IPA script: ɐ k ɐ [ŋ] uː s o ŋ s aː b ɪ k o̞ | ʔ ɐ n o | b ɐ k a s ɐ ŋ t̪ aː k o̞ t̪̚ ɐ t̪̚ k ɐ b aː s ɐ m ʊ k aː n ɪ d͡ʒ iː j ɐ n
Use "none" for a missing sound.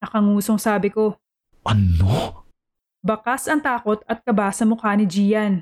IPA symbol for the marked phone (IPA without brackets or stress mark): ŋ